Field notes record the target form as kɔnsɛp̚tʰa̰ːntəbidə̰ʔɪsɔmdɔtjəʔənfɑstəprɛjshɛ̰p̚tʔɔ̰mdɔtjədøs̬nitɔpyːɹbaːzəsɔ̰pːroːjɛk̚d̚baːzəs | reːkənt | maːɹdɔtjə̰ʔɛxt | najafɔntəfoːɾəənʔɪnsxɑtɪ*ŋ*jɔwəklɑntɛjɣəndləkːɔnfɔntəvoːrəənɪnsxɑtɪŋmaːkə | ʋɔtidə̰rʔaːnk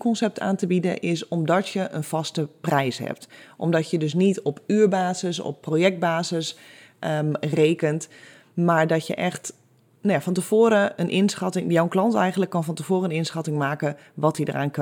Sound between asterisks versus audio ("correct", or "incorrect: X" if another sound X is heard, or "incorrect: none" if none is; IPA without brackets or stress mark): correct